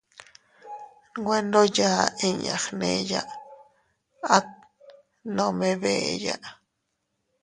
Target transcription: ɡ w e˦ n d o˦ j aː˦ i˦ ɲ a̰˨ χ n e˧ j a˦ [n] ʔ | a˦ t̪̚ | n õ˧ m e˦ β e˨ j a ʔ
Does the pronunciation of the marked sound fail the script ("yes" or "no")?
yes